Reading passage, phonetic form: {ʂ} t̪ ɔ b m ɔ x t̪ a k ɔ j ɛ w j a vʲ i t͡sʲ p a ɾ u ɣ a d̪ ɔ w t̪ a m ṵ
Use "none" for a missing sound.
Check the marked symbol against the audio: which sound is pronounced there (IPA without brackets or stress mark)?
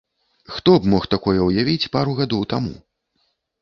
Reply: x